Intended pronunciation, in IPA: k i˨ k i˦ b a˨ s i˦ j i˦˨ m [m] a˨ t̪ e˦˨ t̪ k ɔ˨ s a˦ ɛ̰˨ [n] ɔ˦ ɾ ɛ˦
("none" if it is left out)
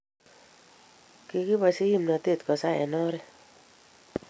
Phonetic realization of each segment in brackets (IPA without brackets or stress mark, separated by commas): n, n